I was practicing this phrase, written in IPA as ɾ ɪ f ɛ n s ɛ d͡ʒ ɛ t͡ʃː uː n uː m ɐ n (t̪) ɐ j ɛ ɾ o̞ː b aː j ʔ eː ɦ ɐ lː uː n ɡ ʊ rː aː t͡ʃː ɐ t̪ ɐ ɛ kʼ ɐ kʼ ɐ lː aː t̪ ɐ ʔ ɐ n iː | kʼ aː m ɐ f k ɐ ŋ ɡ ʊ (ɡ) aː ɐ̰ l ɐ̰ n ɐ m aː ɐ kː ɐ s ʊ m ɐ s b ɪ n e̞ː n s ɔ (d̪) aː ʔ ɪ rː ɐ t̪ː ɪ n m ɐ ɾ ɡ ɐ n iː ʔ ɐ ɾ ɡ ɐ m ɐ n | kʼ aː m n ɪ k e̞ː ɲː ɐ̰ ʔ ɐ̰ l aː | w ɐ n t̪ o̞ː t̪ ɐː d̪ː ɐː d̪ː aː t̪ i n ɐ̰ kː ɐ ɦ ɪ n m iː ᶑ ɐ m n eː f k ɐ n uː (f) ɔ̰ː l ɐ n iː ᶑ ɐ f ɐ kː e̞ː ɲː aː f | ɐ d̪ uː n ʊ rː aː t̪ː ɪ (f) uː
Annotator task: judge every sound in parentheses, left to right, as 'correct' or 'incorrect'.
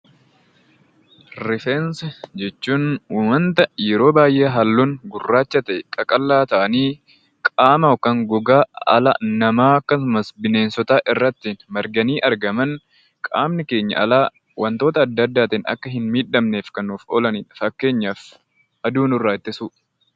correct, correct, incorrect, correct, incorrect

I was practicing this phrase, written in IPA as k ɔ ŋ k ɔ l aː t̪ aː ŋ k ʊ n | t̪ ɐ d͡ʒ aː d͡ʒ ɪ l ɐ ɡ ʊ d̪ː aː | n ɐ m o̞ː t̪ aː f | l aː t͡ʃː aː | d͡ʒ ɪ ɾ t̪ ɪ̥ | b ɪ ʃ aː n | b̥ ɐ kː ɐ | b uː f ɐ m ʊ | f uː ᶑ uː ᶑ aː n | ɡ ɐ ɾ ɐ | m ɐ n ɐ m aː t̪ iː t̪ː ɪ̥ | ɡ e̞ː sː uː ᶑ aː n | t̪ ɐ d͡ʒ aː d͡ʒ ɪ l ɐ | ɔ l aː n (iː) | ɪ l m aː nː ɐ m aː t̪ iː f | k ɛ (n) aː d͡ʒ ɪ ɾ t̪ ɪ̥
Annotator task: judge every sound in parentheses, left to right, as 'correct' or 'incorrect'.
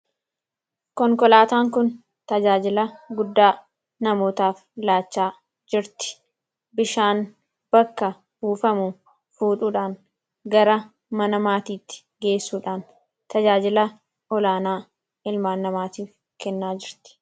incorrect, incorrect

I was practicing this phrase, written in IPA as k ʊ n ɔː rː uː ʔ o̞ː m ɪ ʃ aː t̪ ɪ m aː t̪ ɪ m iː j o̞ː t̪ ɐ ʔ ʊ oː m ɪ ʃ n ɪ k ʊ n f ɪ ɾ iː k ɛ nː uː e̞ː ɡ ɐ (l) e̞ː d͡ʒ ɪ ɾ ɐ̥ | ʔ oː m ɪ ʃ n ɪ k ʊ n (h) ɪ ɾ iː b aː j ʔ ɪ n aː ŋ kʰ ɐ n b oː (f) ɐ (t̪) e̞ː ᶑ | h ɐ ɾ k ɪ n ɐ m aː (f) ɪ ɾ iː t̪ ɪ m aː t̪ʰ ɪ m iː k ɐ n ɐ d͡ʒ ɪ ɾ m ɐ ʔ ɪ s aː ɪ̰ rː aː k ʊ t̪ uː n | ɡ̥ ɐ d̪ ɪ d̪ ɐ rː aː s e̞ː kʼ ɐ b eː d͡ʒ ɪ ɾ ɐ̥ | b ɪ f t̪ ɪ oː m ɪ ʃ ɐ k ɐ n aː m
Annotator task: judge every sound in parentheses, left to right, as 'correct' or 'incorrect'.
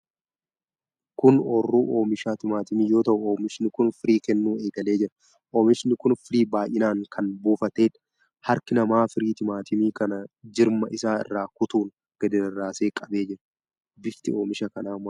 correct, incorrect, correct, correct, correct

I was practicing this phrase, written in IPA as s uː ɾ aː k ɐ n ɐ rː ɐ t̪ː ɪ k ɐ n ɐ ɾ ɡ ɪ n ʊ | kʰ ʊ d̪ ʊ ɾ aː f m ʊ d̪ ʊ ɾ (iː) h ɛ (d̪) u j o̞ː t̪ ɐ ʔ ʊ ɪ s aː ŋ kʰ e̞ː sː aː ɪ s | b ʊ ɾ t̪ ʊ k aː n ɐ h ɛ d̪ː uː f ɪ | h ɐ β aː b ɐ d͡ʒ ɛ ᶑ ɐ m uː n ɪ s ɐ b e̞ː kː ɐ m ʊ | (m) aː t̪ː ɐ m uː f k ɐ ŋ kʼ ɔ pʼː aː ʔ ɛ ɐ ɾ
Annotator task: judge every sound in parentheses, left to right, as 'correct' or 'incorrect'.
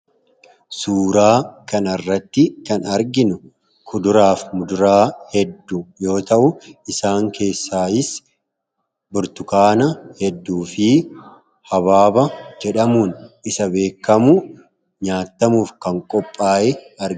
incorrect, incorrect, incorrect

